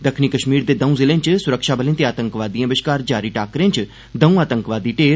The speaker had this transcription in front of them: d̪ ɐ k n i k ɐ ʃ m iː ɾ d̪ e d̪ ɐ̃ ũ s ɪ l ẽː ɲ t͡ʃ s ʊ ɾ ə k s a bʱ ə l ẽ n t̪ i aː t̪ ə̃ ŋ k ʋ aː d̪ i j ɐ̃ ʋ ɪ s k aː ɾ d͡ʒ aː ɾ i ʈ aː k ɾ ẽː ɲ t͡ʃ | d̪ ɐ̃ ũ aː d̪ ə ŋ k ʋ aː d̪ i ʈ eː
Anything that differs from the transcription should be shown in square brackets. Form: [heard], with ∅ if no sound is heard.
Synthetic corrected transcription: d̪ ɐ [kʰ] n i k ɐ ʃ m iː ɾ d̪ e d̪ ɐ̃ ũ [z] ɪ l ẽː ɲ t͡ʃ s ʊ ɾ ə k [ʃ] a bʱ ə l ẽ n t̪ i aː t̪ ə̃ ŋ k ʋ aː d̪ i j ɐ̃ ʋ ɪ [ʃ] k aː ɾ d͡ʒ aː ɾ i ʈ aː k ɾ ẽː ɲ t͡ʃ | d̪ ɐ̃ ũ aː [t̪] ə ŋ k ʋ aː d̪ i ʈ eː